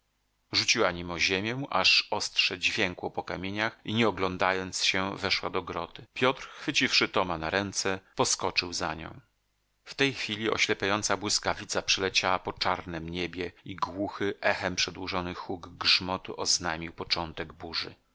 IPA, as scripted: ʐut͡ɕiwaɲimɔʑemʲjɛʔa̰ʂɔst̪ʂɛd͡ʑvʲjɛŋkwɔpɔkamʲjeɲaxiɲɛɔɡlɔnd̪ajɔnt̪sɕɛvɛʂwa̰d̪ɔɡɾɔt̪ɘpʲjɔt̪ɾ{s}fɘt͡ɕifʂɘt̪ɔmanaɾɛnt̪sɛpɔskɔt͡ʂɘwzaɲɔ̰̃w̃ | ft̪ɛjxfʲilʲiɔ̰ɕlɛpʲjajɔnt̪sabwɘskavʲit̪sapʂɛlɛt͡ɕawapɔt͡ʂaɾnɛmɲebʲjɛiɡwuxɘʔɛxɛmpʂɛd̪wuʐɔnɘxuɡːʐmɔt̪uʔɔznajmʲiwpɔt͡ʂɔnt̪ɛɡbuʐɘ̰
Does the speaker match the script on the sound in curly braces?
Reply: no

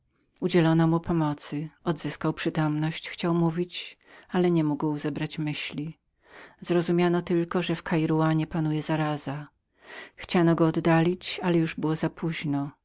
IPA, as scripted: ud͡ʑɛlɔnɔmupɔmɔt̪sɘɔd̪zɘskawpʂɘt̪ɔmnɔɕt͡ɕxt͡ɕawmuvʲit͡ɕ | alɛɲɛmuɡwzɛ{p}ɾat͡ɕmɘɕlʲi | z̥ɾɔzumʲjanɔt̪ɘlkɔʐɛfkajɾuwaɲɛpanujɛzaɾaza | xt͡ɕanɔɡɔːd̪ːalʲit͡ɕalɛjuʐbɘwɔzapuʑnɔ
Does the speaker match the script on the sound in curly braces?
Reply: no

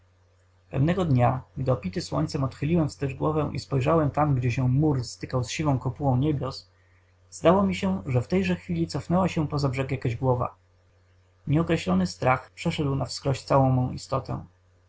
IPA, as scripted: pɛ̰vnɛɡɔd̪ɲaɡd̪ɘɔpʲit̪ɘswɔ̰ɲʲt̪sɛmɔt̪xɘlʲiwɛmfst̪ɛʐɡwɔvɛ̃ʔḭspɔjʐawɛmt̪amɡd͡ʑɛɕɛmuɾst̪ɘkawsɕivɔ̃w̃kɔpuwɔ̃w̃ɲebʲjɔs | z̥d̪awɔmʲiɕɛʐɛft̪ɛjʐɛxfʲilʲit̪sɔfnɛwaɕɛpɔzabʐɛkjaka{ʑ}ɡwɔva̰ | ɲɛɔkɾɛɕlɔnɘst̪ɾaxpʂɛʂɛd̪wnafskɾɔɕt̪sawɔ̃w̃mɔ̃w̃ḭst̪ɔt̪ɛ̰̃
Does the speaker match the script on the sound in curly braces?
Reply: yes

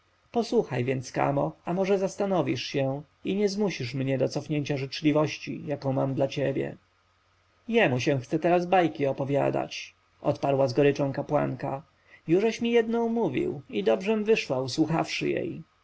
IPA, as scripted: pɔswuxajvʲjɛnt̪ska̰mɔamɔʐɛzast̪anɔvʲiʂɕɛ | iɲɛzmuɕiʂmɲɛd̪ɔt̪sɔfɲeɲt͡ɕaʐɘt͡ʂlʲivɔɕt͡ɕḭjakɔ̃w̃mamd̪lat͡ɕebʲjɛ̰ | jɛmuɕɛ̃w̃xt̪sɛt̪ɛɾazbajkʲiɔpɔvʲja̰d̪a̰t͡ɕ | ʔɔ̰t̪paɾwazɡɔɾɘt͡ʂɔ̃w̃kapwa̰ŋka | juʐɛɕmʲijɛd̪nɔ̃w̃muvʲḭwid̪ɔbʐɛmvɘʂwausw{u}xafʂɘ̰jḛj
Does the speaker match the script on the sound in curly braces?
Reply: yes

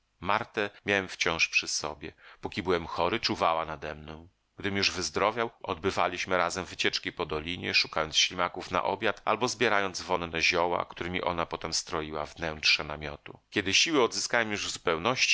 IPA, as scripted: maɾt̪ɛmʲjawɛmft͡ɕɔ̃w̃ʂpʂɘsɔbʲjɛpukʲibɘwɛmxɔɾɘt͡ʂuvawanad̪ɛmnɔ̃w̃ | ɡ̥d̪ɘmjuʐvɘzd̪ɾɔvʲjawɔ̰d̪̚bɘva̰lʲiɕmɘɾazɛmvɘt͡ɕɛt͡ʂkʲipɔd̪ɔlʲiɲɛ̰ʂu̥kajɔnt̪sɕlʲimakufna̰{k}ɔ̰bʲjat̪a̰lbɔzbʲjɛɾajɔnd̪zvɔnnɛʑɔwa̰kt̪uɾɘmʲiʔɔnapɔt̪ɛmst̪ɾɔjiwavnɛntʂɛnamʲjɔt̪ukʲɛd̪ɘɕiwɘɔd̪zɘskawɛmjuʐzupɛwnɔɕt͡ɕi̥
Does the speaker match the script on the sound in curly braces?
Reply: no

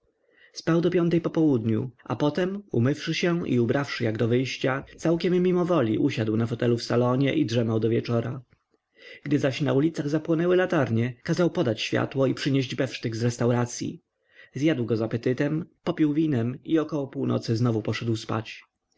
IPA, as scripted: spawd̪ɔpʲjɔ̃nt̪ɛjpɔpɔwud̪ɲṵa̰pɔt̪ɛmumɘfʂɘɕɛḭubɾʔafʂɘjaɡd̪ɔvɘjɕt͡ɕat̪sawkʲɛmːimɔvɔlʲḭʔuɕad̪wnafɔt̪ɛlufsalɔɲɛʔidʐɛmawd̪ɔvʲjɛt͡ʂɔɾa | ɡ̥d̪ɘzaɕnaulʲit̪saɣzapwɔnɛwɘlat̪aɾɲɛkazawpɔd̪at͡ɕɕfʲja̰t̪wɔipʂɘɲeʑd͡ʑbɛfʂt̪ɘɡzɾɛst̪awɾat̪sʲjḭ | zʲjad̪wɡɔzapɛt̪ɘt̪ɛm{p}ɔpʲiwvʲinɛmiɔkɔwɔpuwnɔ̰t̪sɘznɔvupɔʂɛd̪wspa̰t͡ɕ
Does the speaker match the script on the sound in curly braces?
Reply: yes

